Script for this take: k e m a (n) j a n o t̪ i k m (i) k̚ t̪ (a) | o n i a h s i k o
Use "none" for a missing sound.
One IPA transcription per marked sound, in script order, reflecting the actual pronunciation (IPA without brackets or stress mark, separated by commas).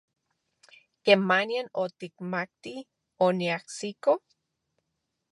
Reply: n, a, i